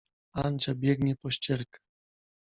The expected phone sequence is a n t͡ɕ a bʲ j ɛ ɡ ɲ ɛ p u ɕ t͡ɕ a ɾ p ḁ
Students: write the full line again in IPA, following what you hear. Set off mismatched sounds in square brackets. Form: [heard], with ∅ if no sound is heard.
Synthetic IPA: a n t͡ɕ a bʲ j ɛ ɡ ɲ ɛ p [ɔ] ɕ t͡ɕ [ɛ] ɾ [k] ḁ